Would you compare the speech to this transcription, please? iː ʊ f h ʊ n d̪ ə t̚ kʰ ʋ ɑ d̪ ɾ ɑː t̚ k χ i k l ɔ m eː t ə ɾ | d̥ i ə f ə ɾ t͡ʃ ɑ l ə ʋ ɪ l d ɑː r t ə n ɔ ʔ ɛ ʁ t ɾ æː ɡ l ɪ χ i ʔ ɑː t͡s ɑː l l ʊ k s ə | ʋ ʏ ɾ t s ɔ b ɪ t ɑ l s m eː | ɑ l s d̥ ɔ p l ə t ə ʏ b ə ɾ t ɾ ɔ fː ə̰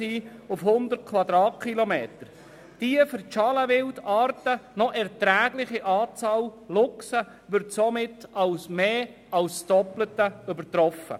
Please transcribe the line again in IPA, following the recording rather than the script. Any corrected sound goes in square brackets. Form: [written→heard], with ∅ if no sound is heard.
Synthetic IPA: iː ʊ f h ʊ n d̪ ə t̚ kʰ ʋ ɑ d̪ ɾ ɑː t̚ k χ i [k→∅] l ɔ m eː t ə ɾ | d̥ i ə f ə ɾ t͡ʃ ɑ l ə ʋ ɪ l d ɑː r t ə n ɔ ʔ ɛ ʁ t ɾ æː ɡ l ɪ χ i ʔ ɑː t͡s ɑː l l ʊ k s ə | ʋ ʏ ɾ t s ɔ [b→m] ɪ t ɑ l s m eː | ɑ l s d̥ ɔ p l ə t ə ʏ b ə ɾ t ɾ ɔ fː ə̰